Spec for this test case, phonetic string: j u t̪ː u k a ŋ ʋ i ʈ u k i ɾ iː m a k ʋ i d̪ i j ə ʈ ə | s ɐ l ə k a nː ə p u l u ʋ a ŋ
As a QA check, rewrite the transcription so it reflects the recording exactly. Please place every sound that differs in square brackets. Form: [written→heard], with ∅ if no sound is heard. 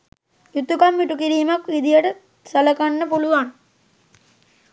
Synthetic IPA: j u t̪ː u k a [ŋ→m] ʋ i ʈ u k i ɾ iː m a k ʋ i d̪ i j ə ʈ ə | s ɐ l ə k a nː ə p u l u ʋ a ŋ